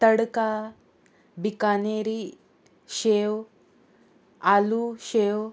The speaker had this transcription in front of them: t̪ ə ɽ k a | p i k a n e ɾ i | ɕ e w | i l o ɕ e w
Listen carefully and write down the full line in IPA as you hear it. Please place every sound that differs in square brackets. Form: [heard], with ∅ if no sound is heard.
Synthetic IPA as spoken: t̪ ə ɽ k a | [b] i k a n e ɾ i | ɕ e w | [a] l [u] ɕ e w